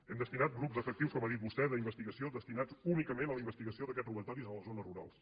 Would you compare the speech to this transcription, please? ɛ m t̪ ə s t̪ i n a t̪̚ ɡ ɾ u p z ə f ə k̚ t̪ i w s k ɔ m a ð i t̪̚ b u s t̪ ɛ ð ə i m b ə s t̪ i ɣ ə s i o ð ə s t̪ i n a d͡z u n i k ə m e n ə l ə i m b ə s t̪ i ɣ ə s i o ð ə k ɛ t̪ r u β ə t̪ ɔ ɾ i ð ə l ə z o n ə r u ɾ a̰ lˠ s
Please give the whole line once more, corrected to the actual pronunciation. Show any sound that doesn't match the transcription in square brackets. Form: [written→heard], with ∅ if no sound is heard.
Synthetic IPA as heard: ɛ m [t̪→d̪] ə s t̪ i n a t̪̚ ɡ ɾ u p z ə f ə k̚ t̪ i w s k ɔ m a ð i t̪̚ b u s t̪ ɛ ð ə i m b ə s t̪ i ɣ ə s i o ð ə s t̪ i n a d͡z u n i k ə m e n ə l ə i m b ə s t̪ i ɣ ə s i o ð ə k ɛ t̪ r u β ə t̪ ɔ ɾ i [ð→z] ə l ə z o n ə r u ɾ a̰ lˠ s